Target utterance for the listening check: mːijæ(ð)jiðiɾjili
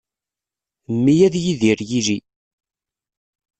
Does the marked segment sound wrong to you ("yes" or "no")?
no